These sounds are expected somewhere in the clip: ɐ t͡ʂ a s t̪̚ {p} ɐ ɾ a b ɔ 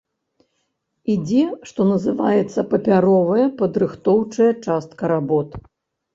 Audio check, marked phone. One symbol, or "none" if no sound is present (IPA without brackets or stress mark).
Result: k